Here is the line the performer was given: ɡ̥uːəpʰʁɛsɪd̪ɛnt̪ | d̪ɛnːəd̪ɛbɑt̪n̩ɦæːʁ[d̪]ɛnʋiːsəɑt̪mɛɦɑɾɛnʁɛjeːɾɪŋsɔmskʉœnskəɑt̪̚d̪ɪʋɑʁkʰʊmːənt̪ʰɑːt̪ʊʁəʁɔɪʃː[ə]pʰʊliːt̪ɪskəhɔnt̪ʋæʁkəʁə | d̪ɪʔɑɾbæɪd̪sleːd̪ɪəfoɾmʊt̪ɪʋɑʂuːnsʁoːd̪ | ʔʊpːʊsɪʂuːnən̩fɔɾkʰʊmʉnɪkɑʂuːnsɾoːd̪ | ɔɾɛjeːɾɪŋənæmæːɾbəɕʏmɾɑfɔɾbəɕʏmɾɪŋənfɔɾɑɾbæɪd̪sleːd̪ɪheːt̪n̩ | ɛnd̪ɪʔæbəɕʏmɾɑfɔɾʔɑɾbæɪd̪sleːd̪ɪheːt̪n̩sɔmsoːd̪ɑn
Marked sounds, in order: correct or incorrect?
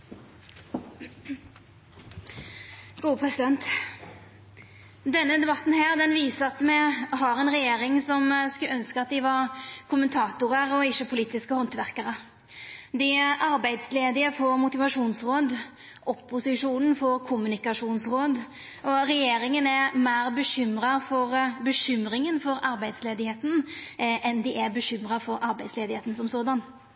correct, correct

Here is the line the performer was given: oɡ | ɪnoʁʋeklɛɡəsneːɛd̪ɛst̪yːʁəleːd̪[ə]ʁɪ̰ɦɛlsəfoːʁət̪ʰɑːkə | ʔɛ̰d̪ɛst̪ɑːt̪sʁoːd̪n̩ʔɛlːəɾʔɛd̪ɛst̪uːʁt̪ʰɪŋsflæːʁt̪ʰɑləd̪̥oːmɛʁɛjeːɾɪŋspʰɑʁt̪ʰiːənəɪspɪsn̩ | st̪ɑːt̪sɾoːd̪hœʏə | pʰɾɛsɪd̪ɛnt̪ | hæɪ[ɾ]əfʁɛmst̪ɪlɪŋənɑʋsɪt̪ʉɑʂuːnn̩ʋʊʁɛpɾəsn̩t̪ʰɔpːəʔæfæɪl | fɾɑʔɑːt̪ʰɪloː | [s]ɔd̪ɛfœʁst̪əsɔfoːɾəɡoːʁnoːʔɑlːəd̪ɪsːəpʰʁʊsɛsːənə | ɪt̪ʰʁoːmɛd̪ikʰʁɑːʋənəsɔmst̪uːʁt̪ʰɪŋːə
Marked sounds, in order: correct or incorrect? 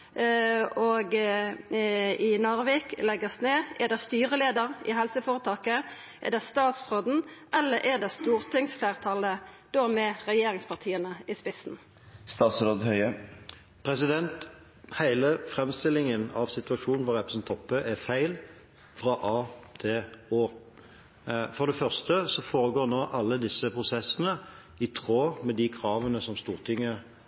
correct, incorrect: l, incorrect: f

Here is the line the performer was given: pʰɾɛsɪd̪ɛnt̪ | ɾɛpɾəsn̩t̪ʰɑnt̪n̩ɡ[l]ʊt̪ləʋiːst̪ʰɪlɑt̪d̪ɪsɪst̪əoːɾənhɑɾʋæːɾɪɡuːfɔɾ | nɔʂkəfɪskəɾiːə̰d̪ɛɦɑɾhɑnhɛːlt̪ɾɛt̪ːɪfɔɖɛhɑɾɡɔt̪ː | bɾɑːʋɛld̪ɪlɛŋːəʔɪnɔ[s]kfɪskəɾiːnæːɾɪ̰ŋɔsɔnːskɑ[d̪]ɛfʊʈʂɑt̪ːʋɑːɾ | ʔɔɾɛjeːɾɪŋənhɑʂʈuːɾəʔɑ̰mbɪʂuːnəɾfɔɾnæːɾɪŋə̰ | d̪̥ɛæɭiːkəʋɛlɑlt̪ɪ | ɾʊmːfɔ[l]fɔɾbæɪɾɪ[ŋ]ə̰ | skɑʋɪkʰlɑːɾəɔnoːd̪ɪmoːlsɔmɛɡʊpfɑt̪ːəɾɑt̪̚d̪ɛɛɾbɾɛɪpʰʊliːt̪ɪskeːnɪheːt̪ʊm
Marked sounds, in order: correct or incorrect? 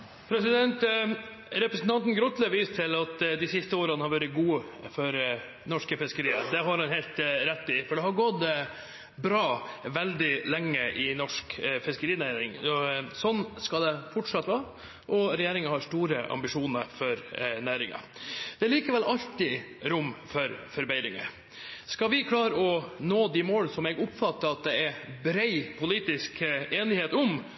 incorrect: ɾ, incorrect: ʂ, correct, incorrect: ɾ, correct

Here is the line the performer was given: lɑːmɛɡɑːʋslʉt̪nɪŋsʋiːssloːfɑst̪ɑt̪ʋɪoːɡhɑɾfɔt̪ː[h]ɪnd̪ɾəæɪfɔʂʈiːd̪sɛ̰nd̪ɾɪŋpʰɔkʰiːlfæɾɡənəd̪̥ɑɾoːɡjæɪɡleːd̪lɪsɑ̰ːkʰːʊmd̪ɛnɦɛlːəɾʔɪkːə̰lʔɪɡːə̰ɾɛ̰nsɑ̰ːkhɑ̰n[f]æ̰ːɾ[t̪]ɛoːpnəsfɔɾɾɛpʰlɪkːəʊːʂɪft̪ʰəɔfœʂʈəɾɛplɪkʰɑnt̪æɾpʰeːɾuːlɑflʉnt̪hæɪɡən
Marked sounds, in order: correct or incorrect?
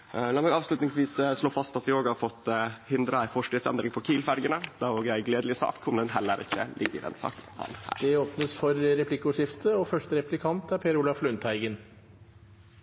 correct, incorrect: h, incorrect: d̪

